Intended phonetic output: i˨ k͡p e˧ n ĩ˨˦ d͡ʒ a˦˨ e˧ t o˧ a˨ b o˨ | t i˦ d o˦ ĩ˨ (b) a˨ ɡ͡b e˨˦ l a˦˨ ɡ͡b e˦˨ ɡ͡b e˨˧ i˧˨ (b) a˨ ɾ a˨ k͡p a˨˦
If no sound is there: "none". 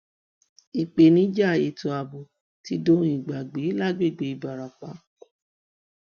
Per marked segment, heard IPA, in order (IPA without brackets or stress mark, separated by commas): ɡ͡b, b